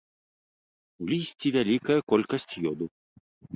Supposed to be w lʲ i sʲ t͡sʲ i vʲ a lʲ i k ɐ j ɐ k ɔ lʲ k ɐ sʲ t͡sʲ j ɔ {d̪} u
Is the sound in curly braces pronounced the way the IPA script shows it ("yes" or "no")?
yes